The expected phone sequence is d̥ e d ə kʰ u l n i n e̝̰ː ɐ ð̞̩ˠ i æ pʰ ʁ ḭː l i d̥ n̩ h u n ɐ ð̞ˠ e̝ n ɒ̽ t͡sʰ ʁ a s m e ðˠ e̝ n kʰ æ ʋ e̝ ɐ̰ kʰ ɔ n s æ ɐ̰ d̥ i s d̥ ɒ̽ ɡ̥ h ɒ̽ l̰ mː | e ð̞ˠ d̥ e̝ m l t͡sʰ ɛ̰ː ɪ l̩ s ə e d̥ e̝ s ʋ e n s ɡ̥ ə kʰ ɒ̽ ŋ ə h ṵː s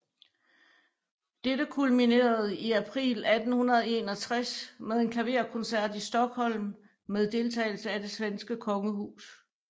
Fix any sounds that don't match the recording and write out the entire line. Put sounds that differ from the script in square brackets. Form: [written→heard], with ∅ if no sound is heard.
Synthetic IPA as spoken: d̥ e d ə kʰ u l [n→m] i n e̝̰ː ɐ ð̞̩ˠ i æ pʰ ʁ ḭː l [i→æ] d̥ n̩ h u n ɐ ð̞ˠ e̝ n ɒ̽ t͡sʰ ʁ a s m e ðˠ e̝ n kʰ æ ʋ e̝ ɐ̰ kʰ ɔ n s æ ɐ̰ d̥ i s d̥ ɒ̽ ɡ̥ h ɒ̽ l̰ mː | e ð̞ˠ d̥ e̝ [m→∅] l t͡sʰ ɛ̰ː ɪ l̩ s ə [e→æ] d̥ e̝ s ʋ e n s ɡ̥ ə kʰ ɒ̽ ŋ ə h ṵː s